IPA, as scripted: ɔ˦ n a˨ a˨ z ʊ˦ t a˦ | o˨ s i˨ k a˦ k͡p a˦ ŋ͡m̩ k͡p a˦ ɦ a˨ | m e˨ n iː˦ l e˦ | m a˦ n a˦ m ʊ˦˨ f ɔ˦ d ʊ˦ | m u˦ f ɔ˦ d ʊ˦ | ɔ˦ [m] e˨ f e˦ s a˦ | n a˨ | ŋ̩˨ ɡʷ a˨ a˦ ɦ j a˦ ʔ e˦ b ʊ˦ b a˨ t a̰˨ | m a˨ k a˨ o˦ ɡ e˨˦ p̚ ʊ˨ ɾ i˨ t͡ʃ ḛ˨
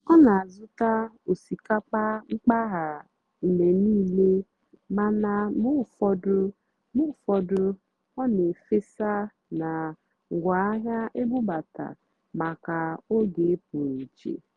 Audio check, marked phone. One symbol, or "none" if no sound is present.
n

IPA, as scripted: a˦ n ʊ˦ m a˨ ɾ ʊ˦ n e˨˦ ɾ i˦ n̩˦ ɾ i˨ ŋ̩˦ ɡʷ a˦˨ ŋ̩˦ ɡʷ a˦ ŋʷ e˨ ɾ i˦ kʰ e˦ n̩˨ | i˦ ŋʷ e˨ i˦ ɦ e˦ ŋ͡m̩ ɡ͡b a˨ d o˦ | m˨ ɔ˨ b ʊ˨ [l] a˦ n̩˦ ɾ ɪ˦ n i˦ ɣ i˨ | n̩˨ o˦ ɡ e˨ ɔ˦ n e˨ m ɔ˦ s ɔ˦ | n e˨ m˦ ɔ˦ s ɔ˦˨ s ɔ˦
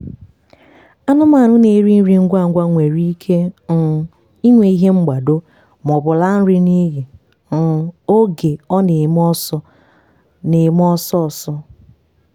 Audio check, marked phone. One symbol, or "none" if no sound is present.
l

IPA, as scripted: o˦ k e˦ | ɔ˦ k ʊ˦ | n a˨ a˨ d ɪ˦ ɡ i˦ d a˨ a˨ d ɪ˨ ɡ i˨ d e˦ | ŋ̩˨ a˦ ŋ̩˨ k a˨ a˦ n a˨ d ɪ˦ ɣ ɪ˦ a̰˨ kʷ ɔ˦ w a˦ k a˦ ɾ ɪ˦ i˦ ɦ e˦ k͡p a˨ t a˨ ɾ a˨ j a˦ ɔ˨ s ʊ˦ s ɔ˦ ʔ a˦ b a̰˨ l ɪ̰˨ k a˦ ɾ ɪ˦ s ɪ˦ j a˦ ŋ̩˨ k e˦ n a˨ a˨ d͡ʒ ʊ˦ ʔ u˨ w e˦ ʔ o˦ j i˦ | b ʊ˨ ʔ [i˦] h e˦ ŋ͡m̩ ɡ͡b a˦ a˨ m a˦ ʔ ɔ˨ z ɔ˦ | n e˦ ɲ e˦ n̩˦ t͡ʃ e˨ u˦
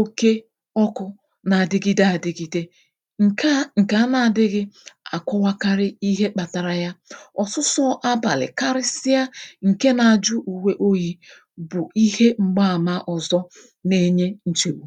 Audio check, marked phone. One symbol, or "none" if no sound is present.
i˦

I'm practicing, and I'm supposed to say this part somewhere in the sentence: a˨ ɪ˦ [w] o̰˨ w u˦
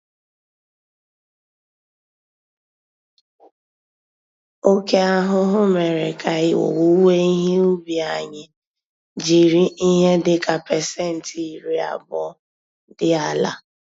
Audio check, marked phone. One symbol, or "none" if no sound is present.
w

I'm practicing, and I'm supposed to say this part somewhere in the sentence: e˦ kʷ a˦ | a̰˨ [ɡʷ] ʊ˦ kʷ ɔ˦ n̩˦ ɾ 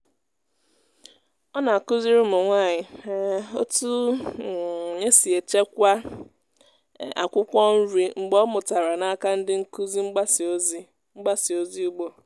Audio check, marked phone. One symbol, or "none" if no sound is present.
kʷ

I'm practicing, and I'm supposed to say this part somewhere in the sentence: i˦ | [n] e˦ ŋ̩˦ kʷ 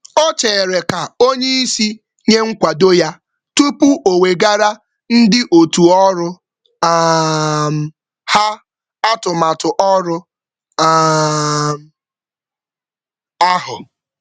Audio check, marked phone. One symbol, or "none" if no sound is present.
ɲ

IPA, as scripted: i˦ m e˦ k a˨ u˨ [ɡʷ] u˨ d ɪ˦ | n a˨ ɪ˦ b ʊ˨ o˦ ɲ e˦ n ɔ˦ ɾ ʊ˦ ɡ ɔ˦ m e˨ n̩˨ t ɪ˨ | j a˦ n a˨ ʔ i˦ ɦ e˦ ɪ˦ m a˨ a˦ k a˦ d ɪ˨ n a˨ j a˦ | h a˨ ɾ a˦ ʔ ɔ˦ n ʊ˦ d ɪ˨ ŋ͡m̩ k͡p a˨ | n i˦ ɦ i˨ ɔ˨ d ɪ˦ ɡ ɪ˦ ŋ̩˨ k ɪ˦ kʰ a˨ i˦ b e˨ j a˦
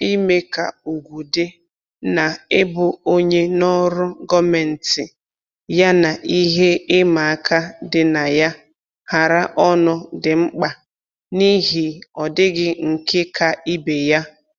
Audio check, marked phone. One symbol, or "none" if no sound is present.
ɡʷ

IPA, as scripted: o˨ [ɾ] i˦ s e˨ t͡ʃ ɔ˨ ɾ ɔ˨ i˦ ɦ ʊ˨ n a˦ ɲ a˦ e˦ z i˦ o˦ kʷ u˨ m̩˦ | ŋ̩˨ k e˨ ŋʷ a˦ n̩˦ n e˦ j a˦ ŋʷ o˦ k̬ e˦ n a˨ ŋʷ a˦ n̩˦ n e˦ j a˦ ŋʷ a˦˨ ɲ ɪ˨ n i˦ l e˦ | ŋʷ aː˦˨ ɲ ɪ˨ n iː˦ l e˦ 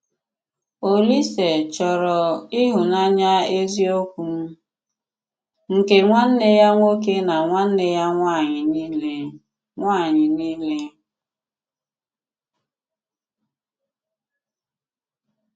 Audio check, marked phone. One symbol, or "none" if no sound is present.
l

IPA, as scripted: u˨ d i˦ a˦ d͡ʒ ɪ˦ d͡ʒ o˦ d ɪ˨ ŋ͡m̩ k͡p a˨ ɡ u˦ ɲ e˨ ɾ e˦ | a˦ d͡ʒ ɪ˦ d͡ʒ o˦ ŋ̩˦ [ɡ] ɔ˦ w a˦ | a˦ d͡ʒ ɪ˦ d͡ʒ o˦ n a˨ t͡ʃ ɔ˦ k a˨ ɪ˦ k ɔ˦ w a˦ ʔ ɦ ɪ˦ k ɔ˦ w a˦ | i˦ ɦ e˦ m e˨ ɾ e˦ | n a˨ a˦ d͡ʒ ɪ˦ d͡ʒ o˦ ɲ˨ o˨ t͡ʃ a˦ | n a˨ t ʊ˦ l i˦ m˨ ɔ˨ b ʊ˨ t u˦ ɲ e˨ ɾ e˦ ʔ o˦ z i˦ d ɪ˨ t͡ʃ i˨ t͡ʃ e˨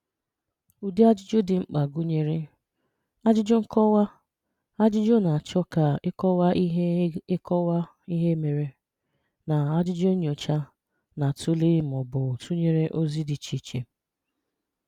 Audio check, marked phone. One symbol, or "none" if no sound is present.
k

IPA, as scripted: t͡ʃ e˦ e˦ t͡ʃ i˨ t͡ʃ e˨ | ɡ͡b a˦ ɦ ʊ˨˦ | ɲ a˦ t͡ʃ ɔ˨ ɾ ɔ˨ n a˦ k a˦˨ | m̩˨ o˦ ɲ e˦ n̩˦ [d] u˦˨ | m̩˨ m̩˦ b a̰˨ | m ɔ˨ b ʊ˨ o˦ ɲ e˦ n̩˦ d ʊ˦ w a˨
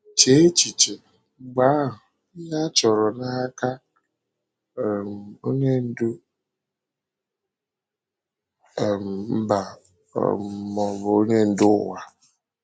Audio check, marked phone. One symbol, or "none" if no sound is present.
d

